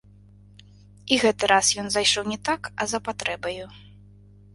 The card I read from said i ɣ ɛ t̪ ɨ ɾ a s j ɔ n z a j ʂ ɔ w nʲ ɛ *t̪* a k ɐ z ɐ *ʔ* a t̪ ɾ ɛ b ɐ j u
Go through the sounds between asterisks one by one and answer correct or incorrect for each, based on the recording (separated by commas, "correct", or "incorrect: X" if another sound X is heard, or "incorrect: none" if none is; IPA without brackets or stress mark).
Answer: correct, incorrect: p